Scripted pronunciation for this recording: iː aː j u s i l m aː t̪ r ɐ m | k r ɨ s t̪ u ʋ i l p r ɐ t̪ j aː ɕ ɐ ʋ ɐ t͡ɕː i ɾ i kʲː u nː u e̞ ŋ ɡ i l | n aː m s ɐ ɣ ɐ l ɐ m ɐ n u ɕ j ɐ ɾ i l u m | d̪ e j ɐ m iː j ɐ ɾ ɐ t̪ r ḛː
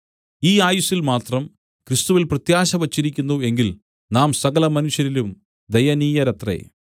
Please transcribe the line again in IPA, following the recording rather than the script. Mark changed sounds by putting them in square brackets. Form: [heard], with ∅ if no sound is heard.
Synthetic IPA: iː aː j u s i l m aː t̪ r ɐ m | k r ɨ s t̪ u ʋ i l p r ɐ t̪ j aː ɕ ɐ ʋ ɐ t͡ɕː i ɾ i kʲː u nː u e̞ ŋ ɡ i l | n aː m s ɐ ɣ ɐ l ɐ m ɐ n u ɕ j ɐ ɾ i l u m | d̪ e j ɐ [n] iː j ɐ ɾ ɐ t̪ r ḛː